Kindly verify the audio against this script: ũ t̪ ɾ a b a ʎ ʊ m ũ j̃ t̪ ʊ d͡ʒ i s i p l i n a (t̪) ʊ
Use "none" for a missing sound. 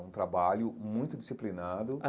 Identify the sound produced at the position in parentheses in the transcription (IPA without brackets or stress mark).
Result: d̪